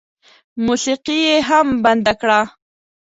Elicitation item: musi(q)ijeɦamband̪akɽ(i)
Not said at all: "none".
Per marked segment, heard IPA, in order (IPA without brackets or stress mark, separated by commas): q, a